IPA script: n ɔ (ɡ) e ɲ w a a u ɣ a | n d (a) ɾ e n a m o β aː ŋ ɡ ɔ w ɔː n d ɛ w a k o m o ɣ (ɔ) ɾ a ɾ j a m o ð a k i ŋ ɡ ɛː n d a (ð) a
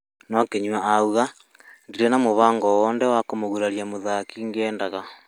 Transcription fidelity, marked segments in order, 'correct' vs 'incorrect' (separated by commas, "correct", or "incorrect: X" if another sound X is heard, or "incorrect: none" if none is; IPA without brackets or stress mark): incorrect: k, incorrect: i, incorrect: u, incorrect: ɣ